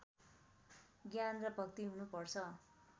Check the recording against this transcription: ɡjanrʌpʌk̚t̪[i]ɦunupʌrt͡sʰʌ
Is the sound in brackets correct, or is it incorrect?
correct